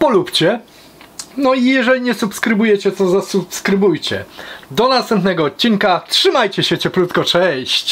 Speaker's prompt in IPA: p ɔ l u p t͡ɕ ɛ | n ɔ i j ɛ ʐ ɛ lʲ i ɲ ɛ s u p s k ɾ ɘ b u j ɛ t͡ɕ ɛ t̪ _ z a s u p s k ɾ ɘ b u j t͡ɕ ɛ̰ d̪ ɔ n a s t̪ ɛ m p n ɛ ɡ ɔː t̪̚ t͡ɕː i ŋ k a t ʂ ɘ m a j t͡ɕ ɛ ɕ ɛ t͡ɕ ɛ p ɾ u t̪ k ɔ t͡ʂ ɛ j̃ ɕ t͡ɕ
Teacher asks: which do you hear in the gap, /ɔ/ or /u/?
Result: ɔ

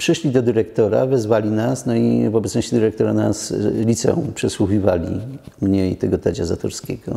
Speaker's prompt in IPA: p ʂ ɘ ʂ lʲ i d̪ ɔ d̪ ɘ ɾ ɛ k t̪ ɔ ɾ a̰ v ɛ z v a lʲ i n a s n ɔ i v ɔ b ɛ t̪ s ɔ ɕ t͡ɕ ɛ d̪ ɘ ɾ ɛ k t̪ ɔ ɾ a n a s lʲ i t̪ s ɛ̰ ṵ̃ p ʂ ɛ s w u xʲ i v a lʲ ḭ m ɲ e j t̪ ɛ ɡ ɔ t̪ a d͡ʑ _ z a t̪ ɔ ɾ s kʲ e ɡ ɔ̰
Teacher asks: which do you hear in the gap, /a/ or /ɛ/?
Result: a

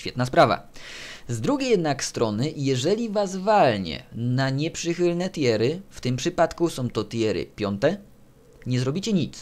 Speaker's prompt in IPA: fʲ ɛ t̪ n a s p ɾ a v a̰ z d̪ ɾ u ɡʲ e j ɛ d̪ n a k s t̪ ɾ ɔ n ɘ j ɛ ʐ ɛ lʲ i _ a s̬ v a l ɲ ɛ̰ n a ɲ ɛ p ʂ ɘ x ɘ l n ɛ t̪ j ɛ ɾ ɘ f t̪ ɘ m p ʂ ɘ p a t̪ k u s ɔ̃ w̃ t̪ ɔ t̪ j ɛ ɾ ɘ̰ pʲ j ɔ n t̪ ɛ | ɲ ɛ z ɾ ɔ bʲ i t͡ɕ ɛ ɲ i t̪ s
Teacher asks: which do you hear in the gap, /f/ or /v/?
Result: v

